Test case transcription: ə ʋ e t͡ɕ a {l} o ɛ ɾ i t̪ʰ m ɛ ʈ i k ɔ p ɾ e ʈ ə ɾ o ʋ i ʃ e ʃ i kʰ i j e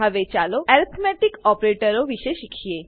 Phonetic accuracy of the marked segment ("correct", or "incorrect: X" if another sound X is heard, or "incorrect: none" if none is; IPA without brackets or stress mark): correct